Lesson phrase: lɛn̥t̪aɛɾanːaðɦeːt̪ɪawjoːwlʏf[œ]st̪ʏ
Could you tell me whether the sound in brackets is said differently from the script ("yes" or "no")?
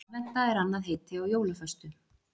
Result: no